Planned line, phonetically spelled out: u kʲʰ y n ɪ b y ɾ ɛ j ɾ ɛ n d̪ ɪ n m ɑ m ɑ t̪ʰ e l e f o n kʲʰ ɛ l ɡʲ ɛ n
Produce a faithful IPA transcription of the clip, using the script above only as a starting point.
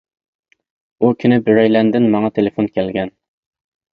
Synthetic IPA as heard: u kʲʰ y n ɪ b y ɾ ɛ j l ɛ n d̪ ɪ n m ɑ ŋ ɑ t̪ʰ e l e f o n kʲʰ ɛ l ɡʲ ɛ n